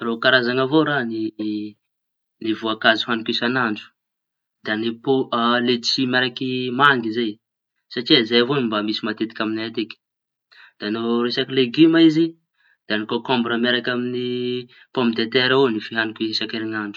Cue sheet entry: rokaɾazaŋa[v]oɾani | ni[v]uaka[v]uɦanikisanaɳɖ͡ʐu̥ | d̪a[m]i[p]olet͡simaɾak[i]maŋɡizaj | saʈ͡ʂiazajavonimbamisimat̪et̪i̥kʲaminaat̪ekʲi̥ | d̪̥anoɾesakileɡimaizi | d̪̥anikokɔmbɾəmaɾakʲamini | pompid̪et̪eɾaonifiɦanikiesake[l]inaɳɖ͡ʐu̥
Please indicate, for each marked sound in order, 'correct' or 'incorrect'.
correct, correct, incorrect, incorrect, correct, correct, incorrect

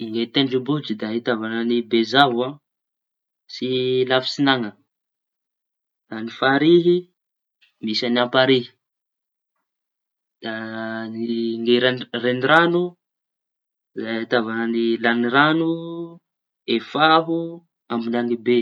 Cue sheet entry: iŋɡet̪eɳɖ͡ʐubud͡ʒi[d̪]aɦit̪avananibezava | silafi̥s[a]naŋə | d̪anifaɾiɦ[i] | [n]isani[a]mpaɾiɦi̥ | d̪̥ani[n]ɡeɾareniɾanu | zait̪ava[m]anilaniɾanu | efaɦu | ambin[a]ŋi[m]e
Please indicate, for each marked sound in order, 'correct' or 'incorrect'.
correct, incorrect, correct, incorrect, correct, incorrect, incorrect, correct, incorrect

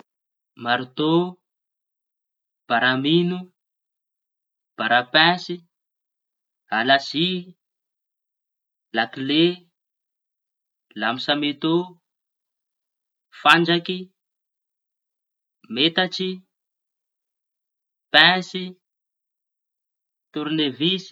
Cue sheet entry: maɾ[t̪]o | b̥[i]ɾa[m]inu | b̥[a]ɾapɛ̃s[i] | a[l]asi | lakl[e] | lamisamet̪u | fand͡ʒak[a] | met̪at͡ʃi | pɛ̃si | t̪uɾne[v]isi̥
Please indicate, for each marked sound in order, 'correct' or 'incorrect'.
correct, incorrect, correct, correct, correct, correct, correct, incorrect, correct

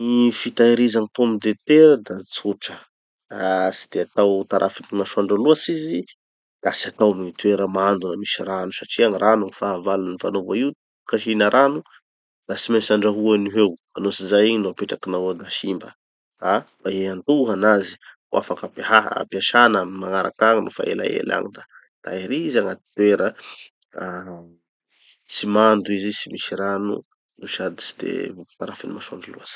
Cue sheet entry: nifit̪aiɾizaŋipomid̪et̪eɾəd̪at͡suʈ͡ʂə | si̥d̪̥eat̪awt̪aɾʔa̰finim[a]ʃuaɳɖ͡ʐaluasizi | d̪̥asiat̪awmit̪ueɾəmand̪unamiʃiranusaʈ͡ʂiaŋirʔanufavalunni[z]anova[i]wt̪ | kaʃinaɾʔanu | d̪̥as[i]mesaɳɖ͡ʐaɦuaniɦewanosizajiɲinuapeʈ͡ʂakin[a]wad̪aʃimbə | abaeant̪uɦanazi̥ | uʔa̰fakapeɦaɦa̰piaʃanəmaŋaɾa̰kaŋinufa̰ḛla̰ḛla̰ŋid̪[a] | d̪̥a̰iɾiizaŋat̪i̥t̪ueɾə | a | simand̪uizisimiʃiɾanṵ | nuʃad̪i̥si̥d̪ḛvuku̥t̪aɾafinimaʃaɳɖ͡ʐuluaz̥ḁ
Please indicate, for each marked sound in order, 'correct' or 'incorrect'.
correct, incorrect, correct, correct, correct, correct

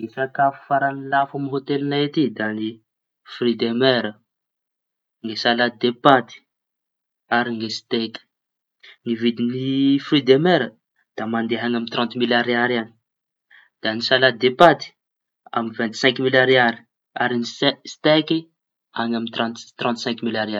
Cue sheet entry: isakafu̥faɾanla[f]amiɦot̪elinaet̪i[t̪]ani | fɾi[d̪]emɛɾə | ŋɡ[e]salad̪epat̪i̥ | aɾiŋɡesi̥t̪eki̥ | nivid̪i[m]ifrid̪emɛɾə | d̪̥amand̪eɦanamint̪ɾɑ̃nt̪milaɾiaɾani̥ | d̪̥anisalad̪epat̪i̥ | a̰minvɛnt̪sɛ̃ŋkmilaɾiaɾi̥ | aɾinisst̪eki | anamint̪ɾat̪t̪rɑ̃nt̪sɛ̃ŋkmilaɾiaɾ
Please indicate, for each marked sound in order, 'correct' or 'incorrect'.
correct, incorrect, correct, correct, incorrect

